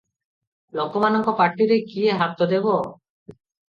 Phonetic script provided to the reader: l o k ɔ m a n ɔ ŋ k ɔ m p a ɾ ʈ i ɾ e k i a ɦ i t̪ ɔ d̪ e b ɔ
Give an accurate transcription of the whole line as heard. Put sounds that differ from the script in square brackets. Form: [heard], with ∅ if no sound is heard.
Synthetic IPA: l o k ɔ m a n ɔ ŋ k ɔ [∅] p a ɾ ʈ i ɾ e k i [e] ɦ [a] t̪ ɔ d̪ e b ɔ